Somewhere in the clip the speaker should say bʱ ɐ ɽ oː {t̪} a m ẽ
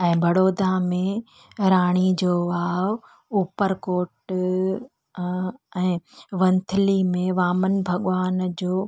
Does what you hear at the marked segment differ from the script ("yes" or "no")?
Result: yes